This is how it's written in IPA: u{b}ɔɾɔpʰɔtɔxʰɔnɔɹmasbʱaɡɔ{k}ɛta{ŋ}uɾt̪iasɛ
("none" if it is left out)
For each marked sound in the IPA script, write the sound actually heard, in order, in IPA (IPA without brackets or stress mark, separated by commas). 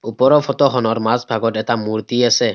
p, t, m